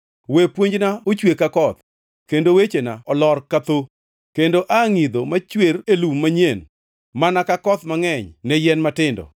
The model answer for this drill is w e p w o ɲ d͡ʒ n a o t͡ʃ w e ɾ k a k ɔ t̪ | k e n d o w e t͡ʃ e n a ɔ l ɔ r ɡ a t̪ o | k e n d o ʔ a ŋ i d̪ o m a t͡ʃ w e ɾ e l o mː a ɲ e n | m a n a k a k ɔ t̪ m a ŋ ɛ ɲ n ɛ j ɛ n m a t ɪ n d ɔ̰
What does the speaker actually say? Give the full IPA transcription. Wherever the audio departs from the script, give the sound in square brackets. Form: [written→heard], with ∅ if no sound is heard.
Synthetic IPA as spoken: w e p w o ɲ d͡ʒ n a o t͡ʃ w e [ɾ→∅] k a k ɔ t̪ | k e n d o w e t͡ʃ e n a ɔ l ɔ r [ɡ→k] a t̪ o | k e n d o ʔ a ŋ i d̪ o m a t͡ʃ w e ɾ e l [o→u] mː a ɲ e n | m a n a k a k ɔ t̪ m a ŋ ɛ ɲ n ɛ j ɛ n m a t ɪ n d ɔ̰